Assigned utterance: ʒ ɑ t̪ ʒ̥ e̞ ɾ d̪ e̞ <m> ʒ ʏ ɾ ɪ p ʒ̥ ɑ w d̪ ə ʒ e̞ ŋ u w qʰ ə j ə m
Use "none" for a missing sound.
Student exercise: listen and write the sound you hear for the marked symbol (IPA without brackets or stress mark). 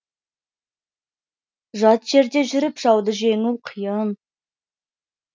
none